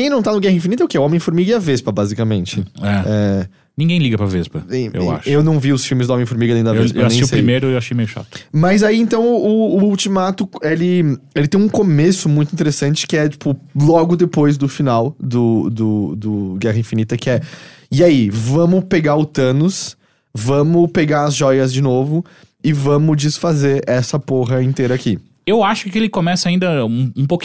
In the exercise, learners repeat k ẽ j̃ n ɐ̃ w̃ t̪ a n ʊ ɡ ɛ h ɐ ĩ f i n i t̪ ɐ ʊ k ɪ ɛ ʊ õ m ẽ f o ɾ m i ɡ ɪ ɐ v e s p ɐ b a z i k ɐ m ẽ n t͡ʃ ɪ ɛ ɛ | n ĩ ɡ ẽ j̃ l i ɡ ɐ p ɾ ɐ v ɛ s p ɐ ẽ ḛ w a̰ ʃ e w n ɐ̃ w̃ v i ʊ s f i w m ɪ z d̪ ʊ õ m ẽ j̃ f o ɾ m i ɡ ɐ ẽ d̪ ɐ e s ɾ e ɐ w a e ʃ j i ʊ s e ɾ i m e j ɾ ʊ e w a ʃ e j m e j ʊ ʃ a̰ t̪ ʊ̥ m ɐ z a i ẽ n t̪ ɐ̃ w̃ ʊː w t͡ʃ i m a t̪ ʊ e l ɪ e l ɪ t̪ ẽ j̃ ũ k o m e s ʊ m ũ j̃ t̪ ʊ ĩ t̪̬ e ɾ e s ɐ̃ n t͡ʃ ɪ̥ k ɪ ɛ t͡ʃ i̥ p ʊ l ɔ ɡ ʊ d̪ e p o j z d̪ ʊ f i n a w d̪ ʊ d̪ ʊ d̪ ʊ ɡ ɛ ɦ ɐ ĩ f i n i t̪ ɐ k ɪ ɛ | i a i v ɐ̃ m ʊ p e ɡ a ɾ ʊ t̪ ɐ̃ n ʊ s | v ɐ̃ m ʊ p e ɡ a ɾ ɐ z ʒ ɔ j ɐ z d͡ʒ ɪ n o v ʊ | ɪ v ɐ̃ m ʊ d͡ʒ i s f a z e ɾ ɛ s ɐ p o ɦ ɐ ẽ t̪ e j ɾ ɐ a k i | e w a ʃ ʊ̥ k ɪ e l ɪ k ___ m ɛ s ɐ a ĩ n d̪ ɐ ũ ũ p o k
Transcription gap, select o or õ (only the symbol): o